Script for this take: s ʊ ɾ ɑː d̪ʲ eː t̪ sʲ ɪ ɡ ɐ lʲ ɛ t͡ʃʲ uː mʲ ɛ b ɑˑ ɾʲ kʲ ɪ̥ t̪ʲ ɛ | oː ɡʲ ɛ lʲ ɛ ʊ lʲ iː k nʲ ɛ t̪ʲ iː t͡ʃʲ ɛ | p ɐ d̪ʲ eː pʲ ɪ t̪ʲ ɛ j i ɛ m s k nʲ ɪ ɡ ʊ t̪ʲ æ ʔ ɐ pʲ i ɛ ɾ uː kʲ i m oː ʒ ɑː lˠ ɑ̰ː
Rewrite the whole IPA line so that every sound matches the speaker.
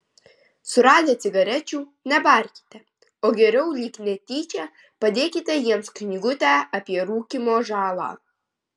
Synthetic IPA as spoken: s ʊ ɾ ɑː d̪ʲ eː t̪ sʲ ɪ ɡ ɐ ɾʲ ɛ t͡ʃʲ uː nʲ ɛ b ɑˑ ɾʲ kʲ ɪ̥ t̪ʲ ɛ | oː ɡʲ ɛ ɾʲ ɛ ʊ lʲ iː k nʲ ɛ t̪ʲ iː t͡ʃʲ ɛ | p ɐ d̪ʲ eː kʲ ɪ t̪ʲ ɛ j i ɛ m s k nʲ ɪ ɡ ʊ t̪ʲ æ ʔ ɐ pʲ i ɛ ɾ uː kʲ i m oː ʒ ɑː lˠ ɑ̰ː